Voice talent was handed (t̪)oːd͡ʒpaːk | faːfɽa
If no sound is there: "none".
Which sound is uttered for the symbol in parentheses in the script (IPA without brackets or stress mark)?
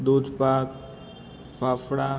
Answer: d̪